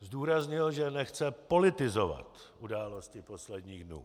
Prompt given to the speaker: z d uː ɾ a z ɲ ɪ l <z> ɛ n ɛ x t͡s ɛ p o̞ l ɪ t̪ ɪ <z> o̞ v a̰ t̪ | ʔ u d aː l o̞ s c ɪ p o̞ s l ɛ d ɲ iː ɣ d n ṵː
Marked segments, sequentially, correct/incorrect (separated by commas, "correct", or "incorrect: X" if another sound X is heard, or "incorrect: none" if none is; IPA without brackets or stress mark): incorrect: ʒ, correct